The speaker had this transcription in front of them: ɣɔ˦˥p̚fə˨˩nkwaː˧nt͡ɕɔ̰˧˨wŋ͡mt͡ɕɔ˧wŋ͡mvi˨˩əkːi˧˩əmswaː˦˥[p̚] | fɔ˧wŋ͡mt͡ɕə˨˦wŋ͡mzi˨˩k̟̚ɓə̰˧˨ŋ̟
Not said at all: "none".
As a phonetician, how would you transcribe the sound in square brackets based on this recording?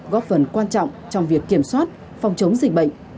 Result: t̚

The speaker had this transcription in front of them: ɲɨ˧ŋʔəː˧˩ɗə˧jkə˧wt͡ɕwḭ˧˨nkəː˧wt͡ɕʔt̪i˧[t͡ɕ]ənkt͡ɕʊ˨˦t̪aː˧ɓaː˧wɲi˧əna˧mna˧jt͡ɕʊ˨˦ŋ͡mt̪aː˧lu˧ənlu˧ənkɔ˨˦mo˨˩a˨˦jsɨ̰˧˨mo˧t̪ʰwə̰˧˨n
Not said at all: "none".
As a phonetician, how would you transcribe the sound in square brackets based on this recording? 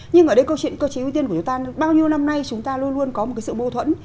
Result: none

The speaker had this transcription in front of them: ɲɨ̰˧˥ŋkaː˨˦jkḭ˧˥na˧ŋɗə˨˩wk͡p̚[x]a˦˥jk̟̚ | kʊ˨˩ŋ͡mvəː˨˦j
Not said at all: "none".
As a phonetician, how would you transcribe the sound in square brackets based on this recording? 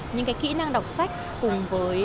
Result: s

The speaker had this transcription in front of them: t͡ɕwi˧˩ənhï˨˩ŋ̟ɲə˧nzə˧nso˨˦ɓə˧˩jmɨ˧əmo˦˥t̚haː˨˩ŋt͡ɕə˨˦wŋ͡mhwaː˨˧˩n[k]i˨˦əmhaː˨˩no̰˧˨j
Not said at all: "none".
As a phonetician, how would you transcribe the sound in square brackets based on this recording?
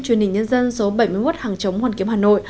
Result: k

